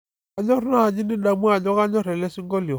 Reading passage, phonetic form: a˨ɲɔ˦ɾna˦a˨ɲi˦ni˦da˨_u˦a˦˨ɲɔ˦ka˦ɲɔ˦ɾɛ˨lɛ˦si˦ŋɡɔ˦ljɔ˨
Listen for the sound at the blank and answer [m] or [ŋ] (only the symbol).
m